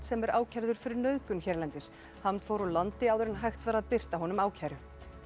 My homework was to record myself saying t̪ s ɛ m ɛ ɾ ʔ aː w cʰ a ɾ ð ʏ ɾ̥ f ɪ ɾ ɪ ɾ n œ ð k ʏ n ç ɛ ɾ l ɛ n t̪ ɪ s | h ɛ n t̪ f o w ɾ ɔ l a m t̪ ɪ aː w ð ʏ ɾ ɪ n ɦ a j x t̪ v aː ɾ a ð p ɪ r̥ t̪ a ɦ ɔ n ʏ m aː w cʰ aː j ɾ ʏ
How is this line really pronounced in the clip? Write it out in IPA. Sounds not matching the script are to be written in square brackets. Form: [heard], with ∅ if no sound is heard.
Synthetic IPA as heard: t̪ s ɛ m ɛ ɾ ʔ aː w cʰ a ɾ ð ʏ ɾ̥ f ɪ ɾ ɪ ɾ n œ ð k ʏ n ç ɛ ɾ l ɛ n t̪ ɪ s | h [a] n t̪ f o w ɾ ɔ l a [n] t̪ ɪ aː w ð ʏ ɾ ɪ n ɦ a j x t̪ v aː ɾ a ð p ɪ r̥ t̪ a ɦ ɔ n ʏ m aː w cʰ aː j ɾ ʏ